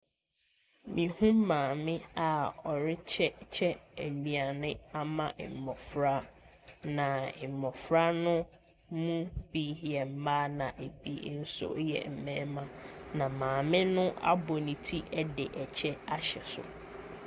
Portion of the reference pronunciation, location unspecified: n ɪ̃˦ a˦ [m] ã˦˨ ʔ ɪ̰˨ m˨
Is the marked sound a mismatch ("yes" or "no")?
no